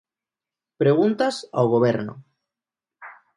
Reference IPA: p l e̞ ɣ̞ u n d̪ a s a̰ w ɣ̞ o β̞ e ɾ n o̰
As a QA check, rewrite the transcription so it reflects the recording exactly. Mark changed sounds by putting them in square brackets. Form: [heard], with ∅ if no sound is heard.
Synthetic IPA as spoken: p [ɾ] e̞ ɣ̞ u n [t̪] a s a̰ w ɣ̞ o β̞ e ɾ n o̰

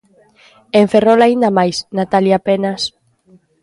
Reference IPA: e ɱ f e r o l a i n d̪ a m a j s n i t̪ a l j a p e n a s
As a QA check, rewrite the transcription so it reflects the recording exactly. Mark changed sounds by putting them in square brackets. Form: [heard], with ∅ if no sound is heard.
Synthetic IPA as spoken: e ɱ f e r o l a i n d̪ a m a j s n [a] t̪ a l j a p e n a s

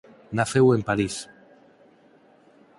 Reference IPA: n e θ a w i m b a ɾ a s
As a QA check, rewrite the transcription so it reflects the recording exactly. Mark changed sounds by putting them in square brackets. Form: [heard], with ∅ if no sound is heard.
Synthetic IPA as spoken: n [a] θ [e] w [e] m [p] a ɾ [i] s

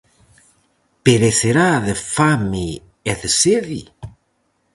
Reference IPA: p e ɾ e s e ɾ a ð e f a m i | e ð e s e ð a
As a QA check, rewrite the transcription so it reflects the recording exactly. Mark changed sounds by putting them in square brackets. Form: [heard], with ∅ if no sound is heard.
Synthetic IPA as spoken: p e ɾ e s e ɾ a ð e f a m i | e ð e s e ð [i]

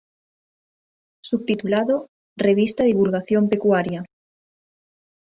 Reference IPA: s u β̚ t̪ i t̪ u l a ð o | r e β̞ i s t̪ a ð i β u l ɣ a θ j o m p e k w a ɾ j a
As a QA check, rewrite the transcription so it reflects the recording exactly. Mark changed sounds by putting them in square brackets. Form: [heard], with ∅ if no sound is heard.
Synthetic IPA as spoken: s u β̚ t̪ i t̪ u l a ð o | r e β̞ i s t̪ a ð i β u l ɣ a θ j o m p e k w a ɾ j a

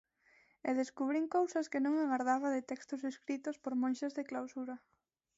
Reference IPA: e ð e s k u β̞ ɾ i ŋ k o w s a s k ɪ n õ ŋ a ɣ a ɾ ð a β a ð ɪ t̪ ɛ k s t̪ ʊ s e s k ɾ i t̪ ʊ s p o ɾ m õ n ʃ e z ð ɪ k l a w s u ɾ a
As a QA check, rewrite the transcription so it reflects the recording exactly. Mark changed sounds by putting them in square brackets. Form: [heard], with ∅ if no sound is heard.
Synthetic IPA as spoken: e ð e s k u β̞ ɾ i ŋ k o w s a s k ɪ n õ ŋ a ɣ a ɾ ð a β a ð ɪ t̪ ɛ k s t̪ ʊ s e s k ɾ i t̪ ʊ s p o ɾ m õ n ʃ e z ð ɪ k l a w s u ɾ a

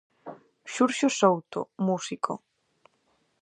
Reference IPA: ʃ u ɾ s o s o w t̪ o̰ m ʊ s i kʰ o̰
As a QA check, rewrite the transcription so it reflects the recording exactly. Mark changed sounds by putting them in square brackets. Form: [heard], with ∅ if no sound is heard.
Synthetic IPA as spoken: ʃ u ɾ [ʃ] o s o w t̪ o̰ m [u] s i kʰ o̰

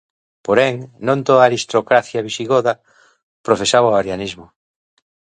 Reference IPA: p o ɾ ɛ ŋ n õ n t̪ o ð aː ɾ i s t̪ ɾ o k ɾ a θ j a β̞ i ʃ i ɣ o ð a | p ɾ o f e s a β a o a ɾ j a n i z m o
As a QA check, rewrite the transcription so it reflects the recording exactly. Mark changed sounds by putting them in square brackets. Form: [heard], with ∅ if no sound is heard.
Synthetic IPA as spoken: p o ɾ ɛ ŋ n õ n t̪ o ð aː ɾ i s t̪ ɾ o k ɾ a θ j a β̞ i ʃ i ɣ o ð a | p ɾ o f e s a β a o a ɾ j a n i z m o

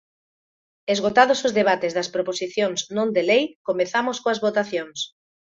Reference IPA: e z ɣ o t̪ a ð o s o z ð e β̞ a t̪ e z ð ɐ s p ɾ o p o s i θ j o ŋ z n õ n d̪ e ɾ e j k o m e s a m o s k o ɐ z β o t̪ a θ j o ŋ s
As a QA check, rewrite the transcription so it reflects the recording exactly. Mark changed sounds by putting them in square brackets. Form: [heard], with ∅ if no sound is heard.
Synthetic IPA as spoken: e z ɣ o t̪ a ð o s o z ð e β̞ a t̪ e z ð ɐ s p ɾ o p o s i θ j o ŋ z n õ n d̪ e [l] e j k o m e [θ] a m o s k o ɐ z β o t̪ a θ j o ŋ s

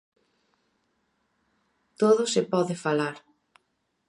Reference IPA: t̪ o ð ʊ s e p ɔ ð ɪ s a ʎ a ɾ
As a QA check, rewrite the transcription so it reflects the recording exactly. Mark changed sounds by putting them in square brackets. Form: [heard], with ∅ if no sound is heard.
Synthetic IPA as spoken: t̪ o ð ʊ s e p ɔ ð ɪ [f] a [l] a ɾ

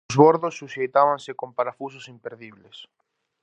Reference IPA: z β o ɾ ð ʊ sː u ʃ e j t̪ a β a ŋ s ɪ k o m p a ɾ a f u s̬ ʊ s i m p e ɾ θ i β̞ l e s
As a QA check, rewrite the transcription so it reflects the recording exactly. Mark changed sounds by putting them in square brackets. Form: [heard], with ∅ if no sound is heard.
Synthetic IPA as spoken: z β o ɾ ð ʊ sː u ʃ e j t̪ a β a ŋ s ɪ k o m p a ɾ a f u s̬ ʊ s i m p e ɾ [ð] i β̞ l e s

